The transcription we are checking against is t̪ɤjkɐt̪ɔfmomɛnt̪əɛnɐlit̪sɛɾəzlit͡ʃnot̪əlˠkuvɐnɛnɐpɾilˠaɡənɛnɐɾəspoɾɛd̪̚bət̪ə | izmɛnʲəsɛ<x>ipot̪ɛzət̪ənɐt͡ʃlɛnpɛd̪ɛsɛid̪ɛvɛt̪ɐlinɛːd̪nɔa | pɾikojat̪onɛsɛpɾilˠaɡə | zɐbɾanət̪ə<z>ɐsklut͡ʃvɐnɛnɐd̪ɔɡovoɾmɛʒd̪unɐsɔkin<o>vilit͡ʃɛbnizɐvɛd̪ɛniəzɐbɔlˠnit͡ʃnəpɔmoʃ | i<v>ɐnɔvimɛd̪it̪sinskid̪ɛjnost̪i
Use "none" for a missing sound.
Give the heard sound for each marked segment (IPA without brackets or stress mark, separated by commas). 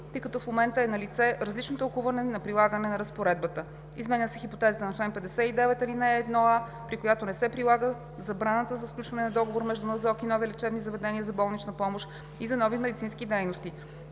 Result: x, z, ɔ, z